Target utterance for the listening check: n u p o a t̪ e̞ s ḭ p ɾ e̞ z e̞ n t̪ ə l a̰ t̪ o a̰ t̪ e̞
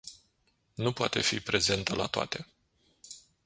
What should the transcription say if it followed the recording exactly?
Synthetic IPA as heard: n u p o a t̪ e̞ f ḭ p ɾ e̞ z e̞ n t̪ ə l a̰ t̪ o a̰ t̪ e̞